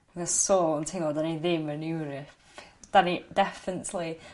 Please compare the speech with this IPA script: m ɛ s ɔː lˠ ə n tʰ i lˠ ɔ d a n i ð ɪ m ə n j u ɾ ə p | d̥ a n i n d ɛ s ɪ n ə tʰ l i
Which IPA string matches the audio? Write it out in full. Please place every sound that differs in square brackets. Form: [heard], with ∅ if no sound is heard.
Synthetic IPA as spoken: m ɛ s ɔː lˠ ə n tʰ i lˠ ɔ d a n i ð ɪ m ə n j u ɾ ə p | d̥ a n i [∅] d ɛ [f] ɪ n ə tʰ l i